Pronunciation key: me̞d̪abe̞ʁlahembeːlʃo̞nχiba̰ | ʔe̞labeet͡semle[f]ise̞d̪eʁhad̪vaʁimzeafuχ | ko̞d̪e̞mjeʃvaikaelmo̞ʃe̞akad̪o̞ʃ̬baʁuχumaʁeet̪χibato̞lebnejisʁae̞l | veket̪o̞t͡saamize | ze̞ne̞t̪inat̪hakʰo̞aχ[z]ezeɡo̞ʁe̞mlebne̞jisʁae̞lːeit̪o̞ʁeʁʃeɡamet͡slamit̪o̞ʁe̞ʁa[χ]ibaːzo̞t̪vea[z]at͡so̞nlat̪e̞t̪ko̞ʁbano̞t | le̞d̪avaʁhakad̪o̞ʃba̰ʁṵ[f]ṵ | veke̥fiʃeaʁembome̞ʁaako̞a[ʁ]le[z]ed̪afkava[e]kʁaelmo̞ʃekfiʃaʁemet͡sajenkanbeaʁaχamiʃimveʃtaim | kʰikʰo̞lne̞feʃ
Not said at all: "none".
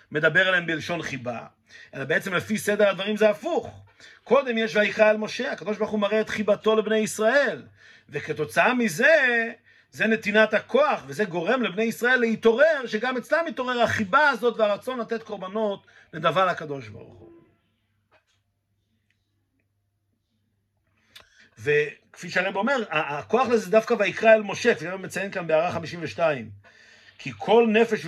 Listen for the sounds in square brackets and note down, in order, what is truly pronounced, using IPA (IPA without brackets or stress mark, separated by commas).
f, v, χ, ʁ, χ, χ, z, i